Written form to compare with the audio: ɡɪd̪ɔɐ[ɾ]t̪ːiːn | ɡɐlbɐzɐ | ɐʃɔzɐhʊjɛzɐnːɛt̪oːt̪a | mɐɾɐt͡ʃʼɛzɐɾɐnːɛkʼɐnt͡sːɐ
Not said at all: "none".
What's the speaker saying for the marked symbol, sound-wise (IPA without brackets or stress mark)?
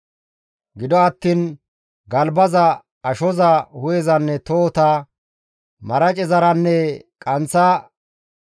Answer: none